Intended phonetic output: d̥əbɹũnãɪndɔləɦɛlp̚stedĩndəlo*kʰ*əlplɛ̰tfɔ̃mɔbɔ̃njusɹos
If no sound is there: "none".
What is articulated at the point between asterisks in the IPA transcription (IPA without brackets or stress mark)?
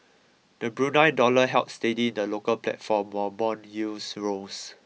k